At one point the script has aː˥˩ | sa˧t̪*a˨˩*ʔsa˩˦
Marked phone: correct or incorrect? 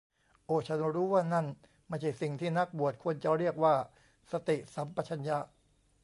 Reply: incorrect